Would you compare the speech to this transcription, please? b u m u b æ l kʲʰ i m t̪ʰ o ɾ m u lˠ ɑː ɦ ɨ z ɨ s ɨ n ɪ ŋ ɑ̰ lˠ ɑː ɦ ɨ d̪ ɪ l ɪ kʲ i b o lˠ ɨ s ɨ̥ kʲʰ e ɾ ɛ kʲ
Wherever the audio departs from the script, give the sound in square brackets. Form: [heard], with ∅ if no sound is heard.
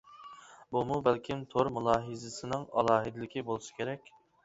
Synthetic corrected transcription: b u m u b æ l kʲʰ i m t̪ʰ o ɾ m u lˠ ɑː ɦ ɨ z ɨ s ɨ n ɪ ŋ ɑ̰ lˠ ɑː ɦ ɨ d̪ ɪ l ɪ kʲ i b o lˠ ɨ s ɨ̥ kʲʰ e ɾ ɛ kʲ